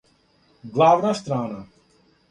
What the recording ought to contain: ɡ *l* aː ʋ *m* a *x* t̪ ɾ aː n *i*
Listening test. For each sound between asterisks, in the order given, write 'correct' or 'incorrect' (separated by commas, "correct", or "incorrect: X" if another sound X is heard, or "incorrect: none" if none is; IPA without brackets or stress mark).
correct, incorrect: n, incorrect: s, incorrect: a